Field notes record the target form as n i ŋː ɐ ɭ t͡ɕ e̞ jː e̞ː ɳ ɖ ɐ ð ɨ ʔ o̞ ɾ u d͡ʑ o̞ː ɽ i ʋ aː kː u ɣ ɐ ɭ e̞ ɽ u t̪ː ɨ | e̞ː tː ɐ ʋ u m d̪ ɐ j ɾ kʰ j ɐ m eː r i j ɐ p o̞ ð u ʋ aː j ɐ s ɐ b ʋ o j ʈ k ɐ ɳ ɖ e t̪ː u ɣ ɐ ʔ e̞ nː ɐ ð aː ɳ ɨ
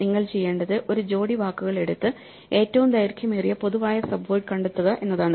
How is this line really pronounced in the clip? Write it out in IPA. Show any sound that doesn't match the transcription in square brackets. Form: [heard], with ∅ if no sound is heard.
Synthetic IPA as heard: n i ŋː ɐ ɭ t͡ɕ e̞ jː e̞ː ɳ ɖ ɐ ð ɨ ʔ o̞ ɾ u d͡ʑ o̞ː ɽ i ʋ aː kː u ɣ ɐ ɭ e̞ ɽ u t̪ː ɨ | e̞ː tː ɐ ʋ u m d̪ ɐ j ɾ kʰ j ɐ m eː r i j ɐ p o̞ ð u ʋ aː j ɐ s ɐ b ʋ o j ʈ k ɐ ɳ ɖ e t̪ː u ɣ ɐ ʔ e̞ nː ɐ ð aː ɳ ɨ